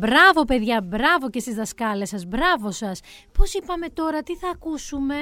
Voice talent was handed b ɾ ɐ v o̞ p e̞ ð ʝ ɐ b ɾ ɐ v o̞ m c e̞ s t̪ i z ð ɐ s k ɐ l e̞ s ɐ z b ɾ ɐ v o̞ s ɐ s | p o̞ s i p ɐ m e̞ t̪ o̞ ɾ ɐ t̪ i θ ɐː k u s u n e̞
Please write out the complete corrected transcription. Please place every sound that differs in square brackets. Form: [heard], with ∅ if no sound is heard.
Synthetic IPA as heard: b ɾ ɐ v o̞ p e̞ ð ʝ ɐ b ɾ ɐ v o̞ [∅] c e̞ s t̪ i z ð ɐ s k ɐ l e̞ s ɐ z b ɾ ɐ v o̞ s ɐ s | p o̞ s i p ɐ m e̞ t̪ o̞ ɾ ɐ t̪ i θ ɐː k u s u [m] e̞